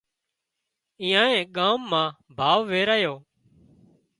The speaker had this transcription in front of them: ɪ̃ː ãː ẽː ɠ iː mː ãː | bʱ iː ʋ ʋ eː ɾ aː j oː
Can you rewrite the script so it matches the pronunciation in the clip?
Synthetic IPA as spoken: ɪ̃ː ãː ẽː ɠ aː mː ãː | bʱ aː ʋ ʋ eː ɾ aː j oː